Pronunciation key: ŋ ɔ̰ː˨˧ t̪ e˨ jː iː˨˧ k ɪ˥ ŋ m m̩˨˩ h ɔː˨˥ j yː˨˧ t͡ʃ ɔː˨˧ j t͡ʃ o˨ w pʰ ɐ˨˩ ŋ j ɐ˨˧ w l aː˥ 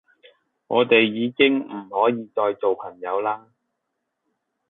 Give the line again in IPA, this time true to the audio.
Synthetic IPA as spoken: ŋ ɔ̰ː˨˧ t̪ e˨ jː iː˨˧ k ɪ˥ ŋ m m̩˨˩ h ɔː˨˥ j iː˨˧ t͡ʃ ɔː˨˧ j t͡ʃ o˨ w pʰ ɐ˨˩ ŋ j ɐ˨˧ w l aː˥